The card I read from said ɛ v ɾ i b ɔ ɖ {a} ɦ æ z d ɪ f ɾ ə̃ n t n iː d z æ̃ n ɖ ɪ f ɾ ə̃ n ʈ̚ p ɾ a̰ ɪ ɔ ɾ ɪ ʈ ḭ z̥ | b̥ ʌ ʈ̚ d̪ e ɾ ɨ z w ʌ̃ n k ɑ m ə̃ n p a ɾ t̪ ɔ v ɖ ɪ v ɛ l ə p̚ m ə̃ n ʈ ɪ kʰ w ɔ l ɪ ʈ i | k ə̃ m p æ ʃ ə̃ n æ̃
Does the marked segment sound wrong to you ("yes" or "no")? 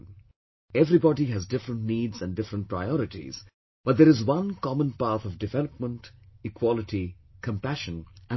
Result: yes